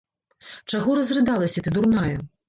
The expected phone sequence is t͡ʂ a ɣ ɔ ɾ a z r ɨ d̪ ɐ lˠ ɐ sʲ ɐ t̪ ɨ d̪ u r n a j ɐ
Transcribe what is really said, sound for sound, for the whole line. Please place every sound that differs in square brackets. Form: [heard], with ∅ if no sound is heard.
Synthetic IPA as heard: t͡ʂ a ɣ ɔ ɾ [ɐ] z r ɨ d̪ [a] lˠ ɐ sʲ ɐ t̪ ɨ d̪ u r n a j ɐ